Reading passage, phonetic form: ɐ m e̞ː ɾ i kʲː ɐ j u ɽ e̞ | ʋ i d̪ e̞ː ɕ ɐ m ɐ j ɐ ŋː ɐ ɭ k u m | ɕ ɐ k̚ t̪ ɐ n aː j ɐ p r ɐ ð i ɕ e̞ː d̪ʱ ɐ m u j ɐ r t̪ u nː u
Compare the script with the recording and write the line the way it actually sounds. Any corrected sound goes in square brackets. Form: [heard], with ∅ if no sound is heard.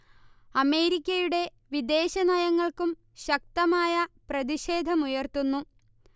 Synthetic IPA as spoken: ɐ m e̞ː ɾ i kʲː ɐ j u ɽ e̞ | ʋ i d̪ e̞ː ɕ ɐ [n] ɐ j ɐ ŋː ɐ ɭ k u m | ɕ ɐ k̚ t̪ ɐ [m] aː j ɐ p r ɐ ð i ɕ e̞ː d̪ʱ ɐ m u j ɐ r t̪ u nː u